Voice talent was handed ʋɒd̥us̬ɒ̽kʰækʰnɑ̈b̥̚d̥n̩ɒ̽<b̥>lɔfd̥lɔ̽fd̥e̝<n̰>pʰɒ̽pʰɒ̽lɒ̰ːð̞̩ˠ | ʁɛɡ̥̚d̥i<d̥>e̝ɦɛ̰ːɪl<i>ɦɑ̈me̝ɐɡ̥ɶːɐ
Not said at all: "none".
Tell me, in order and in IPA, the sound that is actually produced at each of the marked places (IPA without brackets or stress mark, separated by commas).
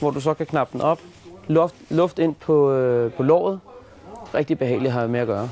b̥, n̰, b̥, i